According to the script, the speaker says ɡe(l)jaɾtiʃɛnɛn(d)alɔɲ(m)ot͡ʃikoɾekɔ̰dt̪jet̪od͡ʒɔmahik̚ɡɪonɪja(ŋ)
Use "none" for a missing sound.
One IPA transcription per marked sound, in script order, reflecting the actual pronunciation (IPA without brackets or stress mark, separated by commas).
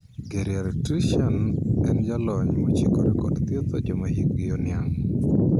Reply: ɾ, d͡ʒ, m, ŋ